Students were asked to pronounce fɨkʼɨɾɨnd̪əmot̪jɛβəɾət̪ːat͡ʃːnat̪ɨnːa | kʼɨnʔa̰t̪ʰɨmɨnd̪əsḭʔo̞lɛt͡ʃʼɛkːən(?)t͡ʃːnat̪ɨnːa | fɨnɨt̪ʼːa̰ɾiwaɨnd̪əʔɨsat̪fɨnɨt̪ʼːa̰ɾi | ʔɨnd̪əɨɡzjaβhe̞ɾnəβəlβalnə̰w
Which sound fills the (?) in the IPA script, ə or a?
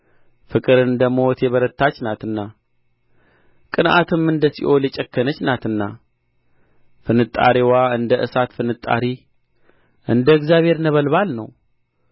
ə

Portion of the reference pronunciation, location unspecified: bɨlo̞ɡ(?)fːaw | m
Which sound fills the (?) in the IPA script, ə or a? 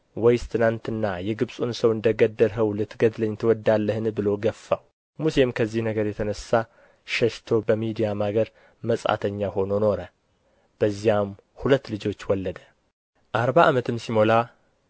ə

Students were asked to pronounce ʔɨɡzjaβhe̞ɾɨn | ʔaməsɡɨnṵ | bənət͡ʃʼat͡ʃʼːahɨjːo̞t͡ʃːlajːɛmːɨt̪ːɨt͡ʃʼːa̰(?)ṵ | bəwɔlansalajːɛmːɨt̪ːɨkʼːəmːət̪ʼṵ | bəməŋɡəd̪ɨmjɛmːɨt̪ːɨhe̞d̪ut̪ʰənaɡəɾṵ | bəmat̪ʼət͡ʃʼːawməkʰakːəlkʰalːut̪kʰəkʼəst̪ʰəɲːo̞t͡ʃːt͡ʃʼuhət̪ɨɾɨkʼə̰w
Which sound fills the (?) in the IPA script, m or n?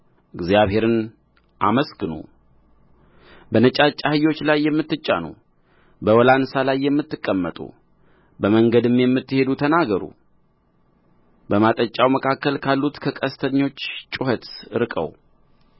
n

